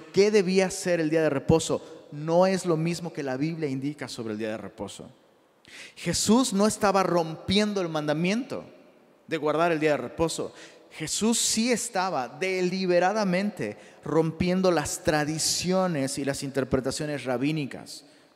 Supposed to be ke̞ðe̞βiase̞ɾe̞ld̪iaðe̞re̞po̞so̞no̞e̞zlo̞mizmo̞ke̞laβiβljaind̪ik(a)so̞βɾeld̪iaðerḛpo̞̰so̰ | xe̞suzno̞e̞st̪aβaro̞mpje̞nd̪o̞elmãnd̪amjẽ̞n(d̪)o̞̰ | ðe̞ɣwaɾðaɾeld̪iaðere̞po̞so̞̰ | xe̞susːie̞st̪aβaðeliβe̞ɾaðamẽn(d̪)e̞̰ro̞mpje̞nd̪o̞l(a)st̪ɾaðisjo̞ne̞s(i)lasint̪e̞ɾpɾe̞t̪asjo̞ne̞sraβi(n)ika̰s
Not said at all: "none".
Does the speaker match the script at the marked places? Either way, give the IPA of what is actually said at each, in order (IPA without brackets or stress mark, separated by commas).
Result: a, t̪, t̪, a, i, n